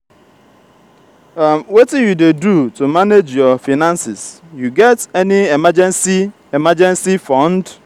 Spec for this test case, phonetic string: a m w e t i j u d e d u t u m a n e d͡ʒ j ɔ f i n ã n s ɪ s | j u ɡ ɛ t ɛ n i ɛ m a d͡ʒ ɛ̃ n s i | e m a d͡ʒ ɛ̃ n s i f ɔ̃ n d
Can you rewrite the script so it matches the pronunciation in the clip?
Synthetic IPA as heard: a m w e t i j u d e d u t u m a n e d͡ʒ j ɔ f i n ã n s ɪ s | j u ɡ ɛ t ɛ n i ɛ m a d͡ʒ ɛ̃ n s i | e m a d͡ʒ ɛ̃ n s i f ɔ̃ n d